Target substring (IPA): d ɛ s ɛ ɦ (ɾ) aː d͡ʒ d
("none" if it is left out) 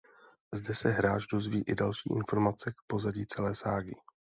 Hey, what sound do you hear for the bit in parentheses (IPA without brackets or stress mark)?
ɾ